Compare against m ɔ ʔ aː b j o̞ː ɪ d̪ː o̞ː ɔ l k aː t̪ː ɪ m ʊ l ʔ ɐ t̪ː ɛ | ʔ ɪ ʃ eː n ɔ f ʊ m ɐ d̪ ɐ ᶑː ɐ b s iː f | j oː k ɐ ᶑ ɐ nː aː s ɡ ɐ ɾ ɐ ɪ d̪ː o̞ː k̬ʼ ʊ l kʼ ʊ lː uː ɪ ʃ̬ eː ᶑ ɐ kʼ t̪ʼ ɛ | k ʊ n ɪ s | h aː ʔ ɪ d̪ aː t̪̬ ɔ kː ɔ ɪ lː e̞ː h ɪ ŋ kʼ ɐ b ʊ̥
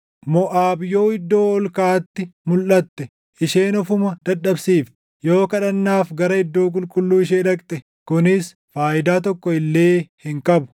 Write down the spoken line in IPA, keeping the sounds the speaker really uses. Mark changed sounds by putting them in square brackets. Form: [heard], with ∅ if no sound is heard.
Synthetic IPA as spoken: m ɔ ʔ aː b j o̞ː ɪ d̪ː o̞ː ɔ l k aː t̪ː ɪ m ʊ l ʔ ɐ t̪ː ɛ | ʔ ɪ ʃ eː n ɔ f ʊ m ɐ d̪ ɐ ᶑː ɐ b s iː f | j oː k ɐ ᶑ ɐ nː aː [f] ɡ ɐ ɾ ɐ ɪ d̪ː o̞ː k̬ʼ ʊ l kʼ ʊ lː uː ɪ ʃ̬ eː ᶑ ɐ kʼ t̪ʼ ɛ | k ʊ n ɪ s | [f] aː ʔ ɪ d̪ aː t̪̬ ɔ kː ɔ ɪ lː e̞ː h ɪ ŋ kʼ ɐ b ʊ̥